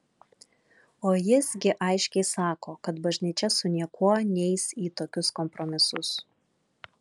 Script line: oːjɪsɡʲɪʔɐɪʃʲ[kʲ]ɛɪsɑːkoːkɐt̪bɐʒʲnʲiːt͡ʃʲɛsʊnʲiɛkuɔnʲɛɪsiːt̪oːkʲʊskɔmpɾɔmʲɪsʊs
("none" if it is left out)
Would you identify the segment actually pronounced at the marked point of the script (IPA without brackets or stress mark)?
kʲ